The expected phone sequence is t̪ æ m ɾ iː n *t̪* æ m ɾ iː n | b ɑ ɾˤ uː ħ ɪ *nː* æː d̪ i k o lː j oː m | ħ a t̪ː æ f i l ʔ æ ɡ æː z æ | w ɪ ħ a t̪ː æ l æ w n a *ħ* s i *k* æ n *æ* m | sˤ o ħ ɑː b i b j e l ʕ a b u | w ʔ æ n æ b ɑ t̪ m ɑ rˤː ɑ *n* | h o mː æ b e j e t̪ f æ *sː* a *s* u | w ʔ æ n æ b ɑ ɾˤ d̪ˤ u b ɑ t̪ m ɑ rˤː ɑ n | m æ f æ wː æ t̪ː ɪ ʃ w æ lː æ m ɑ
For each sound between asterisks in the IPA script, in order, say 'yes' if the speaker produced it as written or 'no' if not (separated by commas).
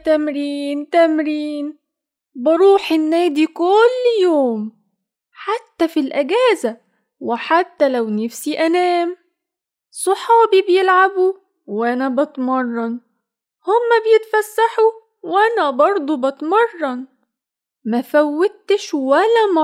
yes, yes, no, no, no, yes, yes, no